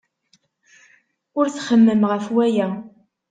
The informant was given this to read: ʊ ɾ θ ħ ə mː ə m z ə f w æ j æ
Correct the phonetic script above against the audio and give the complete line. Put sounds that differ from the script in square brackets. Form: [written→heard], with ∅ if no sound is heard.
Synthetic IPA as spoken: ʊ ɾ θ [ħ→χ] ə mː ə m [z→ʁ] ə f w æ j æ